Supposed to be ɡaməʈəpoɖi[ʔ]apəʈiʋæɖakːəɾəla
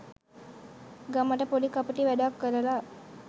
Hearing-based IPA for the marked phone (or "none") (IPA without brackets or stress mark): k